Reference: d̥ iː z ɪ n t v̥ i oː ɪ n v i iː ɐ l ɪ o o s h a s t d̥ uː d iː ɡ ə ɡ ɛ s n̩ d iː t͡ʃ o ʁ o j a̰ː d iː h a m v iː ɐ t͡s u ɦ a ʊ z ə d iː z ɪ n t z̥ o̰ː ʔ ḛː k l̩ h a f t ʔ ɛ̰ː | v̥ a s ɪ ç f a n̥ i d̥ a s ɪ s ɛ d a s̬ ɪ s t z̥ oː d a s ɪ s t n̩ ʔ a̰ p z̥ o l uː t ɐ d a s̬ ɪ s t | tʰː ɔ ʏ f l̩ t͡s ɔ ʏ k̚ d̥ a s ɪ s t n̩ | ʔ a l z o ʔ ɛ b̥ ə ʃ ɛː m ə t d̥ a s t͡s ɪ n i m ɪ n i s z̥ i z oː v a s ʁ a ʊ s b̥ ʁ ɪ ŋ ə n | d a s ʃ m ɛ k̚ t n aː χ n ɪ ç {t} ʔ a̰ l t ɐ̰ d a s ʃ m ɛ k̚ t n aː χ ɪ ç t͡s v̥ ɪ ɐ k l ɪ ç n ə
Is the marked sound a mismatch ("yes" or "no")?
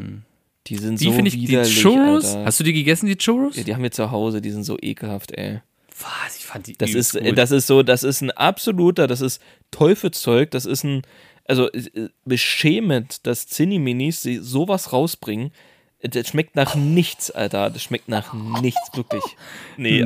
yes